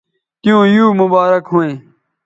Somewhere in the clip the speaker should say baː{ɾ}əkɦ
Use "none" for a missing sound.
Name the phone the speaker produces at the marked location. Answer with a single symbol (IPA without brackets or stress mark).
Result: ɾ